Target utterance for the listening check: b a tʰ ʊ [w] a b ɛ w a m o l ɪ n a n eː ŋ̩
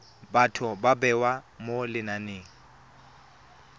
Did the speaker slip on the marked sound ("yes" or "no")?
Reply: yes